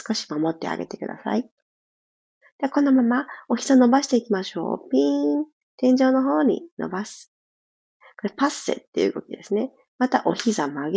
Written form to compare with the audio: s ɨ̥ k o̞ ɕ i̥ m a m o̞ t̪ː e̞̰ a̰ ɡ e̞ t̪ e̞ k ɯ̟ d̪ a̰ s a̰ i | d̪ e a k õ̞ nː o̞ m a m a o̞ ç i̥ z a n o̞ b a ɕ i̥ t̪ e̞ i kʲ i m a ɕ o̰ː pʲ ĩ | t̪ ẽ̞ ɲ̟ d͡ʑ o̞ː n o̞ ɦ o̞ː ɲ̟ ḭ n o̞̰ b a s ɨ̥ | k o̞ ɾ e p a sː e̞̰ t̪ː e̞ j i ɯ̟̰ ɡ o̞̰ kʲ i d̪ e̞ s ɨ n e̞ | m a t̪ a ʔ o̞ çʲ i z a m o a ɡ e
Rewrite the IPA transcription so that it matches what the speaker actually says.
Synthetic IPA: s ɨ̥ k o̞ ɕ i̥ m a m o̞ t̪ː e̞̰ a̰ ɡ e̞ t̪ e̞ k ɯ̟ d̪ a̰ s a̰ i | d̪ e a k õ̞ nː o̞ m a m a o̞ ç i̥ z a n o̞ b a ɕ i̥ t̪ e̞ i kʲ i m a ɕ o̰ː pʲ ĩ | t̪ ẽ̞ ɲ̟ d͡ʑ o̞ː n o̞ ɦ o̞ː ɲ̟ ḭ n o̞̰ b a s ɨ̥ | k o̞ ɾ e p a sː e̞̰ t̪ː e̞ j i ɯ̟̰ ɡ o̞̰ kʲ i d̪ e̞ s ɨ n e̞ | m a t̪ a ʔ o̞ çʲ i z a m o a ɡ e